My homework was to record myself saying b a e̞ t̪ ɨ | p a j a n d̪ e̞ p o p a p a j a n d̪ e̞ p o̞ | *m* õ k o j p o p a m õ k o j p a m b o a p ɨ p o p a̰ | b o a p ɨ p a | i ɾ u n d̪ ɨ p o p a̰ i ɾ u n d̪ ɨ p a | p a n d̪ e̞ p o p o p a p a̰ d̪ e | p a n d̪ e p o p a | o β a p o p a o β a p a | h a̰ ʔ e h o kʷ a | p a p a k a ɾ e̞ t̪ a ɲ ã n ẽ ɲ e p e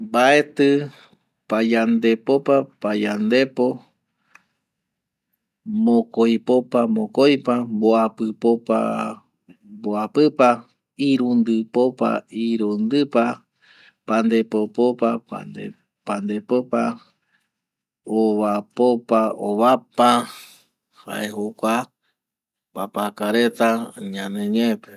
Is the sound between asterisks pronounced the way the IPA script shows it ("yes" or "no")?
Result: yes